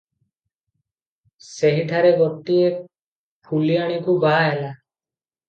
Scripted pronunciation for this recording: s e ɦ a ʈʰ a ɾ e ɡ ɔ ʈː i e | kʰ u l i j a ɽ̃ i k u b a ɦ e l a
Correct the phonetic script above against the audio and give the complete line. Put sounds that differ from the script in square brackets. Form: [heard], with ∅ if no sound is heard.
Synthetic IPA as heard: s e ɦ [i] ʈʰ a ɾ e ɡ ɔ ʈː i e | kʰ u l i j a ɽ̃ i k u b a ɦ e l a

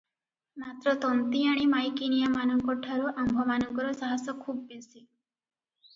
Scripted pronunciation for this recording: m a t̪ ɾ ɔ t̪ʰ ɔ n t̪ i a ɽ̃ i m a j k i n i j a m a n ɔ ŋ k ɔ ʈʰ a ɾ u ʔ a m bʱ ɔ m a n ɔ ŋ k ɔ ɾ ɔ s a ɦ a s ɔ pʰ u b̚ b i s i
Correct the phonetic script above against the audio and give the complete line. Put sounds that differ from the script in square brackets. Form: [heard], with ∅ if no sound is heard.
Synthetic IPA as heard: m a t̪ ɾ ɔ [t̪] ɔ n t̪ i a ɽ̃ i m a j k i n i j a m a n ɔ ŋ k ɔ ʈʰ a ɾ u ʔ a m bʱ ɔ m a n ɔ ŋ k ɔ ɾ ɔ s a ɦ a s ɔ [kʰ] u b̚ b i s i

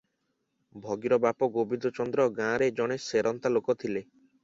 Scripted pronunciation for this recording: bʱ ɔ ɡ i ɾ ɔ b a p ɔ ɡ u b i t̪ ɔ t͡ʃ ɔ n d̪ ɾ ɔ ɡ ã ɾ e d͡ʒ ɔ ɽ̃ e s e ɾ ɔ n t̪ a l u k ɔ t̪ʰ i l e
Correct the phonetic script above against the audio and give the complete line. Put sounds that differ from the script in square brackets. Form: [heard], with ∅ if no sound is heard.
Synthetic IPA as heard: bʱ ɔ ɡ i ɾ ɔ b a p ɔ ɡ [o] b i [d̪] ɔ t͡ʃ ɔ n d̪ ɾ ɔ ɡ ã ɾ e d͡ʒ ɔ ɽ̃ e s e ɾ ɔ n t̪ a l [o] k ɔ t̪ʰ i l e

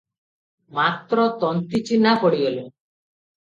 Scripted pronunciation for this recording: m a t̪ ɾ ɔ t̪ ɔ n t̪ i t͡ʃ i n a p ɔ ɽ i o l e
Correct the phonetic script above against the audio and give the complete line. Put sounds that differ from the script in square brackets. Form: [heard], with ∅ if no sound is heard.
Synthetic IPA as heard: m a t̪ ɾ ɔ t̪ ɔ n t̪ i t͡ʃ i n a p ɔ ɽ i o l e

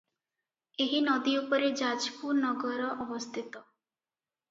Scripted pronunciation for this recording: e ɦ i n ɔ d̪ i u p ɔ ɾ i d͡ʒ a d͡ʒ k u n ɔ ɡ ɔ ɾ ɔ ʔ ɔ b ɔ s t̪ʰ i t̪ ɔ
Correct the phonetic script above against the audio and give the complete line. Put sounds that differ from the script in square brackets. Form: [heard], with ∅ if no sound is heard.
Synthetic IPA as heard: e ɦ i n ɔ d̪ i u p ɔ ɾ [e] d͡ʒ a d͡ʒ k u n ɔ ɡ ɔ ɾ ɔ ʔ ɔ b ɔ s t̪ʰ i t̪ ɔ

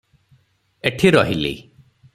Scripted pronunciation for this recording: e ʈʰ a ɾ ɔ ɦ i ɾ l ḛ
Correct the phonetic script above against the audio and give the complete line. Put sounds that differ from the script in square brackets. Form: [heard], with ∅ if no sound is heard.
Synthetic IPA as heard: e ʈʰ [i] ɾ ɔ ɦ i [∅] l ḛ

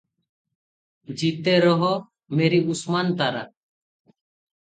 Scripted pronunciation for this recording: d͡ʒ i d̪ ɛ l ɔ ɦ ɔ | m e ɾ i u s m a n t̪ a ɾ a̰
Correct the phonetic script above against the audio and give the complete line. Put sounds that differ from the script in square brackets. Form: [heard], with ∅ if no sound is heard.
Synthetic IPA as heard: d͡ʒ i [t̪] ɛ [ɾ] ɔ ɦ ɔ | m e ɾ i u s m a n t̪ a ɾ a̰

